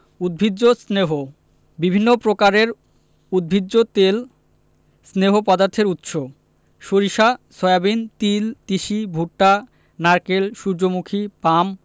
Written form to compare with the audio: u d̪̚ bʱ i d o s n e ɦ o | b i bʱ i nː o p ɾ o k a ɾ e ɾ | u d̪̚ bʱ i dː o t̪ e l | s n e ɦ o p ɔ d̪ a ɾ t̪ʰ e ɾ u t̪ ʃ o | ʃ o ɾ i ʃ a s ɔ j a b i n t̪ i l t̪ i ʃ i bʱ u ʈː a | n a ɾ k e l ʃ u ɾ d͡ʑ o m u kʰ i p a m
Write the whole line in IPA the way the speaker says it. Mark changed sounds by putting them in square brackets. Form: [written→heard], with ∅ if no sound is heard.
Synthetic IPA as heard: u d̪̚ bʱ i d o s n e ɦ o | b i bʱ i nː o p ɾ o k a ɾ e ɾ | u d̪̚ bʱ i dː o t̪ e l | s n e ɦ o p ɔ d̪ a ɾ t̪ʰ e ɾ u t̪ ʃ o | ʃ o ɾ i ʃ a s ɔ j a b i n t̪ i l t̪ i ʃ i bʱ u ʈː a | n a ɾ k e l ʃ u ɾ d͡ʑ o m u kʰ i p a m